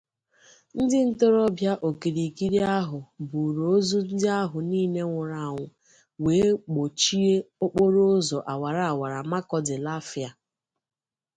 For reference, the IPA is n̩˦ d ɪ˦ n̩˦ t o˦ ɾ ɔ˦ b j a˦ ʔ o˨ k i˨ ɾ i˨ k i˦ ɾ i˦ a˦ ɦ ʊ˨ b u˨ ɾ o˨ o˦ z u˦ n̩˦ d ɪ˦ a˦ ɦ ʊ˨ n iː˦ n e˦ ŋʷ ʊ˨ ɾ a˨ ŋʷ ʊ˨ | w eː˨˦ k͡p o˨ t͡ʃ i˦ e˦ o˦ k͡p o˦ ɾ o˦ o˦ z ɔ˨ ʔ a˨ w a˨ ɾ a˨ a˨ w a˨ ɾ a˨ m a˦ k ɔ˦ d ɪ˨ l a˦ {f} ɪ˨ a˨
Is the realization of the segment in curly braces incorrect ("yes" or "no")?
no